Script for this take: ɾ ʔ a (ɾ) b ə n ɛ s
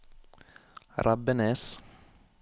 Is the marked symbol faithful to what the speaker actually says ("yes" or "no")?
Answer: no